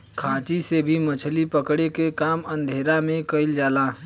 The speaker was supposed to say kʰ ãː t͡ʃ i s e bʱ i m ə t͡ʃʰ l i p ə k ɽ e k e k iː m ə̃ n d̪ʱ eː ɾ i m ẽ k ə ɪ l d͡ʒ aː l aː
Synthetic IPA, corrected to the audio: kʰ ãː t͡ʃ i s e bʱ i m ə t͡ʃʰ l i p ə k ɽ e k e k aː m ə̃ n d̪ʱ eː ɾ a m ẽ k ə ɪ l d͡ʒ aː l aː